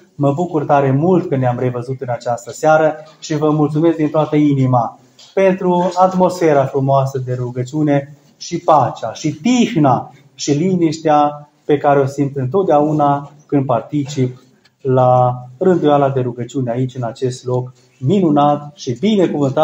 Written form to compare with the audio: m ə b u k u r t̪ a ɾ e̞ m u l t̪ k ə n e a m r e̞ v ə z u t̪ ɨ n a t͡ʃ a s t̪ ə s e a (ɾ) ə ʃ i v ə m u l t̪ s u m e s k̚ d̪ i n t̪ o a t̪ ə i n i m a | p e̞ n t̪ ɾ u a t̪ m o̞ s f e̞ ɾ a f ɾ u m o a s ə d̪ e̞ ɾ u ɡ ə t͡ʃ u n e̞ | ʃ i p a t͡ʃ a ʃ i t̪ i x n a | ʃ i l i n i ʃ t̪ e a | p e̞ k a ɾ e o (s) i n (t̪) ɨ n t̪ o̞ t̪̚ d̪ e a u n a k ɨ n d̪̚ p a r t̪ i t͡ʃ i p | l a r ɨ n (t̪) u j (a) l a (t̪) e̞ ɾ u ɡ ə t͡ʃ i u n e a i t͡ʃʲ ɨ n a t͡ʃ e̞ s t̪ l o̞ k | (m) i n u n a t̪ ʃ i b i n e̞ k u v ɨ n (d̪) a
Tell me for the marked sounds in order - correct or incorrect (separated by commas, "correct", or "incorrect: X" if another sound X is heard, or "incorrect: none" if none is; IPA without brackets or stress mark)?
correct, correct, correct, incorrect: d̪, correct, incorrect: d̪, correct, incorrect: t̪